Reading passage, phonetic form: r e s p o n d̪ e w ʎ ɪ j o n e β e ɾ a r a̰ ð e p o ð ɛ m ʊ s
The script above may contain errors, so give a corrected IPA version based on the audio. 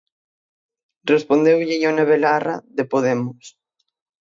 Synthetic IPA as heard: r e s p o n d̪ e w ʎ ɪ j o n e β e l a r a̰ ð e p o ð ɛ m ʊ s